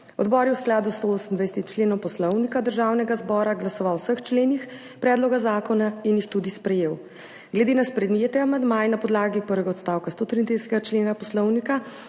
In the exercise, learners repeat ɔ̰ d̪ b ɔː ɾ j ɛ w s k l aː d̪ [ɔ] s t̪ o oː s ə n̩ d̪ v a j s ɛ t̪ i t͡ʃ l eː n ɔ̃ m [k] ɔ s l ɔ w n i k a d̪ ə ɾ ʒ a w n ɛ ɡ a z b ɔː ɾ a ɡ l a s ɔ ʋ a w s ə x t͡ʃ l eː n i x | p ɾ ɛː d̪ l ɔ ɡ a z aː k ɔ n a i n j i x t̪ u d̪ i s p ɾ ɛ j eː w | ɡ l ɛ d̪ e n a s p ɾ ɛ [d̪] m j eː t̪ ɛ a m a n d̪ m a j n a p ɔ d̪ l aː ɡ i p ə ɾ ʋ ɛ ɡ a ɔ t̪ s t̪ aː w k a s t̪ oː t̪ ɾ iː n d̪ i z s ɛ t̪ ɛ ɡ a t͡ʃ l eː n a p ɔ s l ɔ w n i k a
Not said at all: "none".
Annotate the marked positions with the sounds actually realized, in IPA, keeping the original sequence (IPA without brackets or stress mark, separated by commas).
u, p, d̪